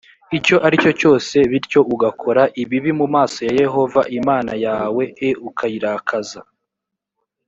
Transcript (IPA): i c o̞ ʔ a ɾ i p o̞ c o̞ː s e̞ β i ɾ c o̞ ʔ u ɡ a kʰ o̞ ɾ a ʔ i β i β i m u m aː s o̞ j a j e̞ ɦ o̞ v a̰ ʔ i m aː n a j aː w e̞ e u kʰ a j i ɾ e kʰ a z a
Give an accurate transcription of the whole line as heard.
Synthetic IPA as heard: i c o̞ ʔ a ɾ i c o̞ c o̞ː s e̞ β i ɾ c o̞ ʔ u ɡ a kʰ o̞ ɾ a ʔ i β i β i m u m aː s o̞ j a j e̞ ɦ o̞ v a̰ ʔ i m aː n a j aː w e̞ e u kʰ a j i ɾ a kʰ a z a